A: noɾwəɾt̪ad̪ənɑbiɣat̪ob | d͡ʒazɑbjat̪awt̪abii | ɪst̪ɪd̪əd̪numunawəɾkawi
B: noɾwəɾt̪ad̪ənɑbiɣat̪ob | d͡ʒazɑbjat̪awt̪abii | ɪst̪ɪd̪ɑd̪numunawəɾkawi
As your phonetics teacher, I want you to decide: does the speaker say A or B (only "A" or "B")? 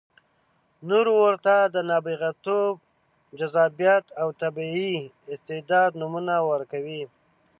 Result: B